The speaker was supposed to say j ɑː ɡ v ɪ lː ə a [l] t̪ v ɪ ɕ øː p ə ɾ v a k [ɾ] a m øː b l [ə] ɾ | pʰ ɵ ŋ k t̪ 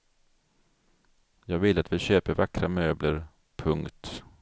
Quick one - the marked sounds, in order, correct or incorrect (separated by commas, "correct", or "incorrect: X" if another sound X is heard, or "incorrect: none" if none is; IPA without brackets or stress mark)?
incorrect: none, correct, correct